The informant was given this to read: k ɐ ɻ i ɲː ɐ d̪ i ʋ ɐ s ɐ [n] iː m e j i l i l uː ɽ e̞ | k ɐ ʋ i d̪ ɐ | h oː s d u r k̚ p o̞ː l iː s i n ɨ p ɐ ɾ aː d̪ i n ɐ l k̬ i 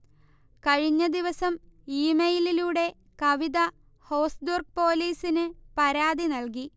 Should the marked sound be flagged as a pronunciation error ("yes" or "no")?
yes